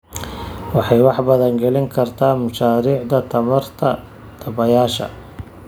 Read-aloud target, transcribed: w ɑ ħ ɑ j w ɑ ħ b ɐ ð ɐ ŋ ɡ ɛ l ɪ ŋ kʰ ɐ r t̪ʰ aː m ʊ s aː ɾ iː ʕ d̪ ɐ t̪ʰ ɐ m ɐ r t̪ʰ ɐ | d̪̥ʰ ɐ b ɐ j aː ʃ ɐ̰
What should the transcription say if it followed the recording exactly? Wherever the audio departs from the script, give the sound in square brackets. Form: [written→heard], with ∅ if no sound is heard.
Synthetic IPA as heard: w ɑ ħ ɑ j w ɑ ħ b ɐ ð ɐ ŋ ɡ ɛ l ɪ ŋ kʰ ɐ r t̪ʰ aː m ʊ [s→ʃ] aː ɾ iː ʕ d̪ ɐ t̪ʰ ɐ m ɐ r t̪ʰ ɐ | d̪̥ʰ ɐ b ɐ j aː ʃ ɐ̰